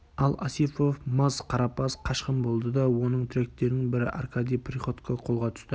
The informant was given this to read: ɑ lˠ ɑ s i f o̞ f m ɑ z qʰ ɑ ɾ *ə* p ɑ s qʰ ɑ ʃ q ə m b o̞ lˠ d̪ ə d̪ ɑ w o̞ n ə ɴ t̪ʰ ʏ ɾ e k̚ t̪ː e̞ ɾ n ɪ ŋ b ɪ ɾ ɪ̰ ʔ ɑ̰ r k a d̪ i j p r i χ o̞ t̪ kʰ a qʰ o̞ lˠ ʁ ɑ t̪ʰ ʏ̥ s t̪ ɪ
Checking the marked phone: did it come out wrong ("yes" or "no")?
yes